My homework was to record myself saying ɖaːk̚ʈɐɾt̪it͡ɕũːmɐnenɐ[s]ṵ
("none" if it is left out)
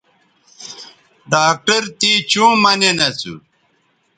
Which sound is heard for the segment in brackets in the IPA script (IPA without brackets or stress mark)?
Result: t͡s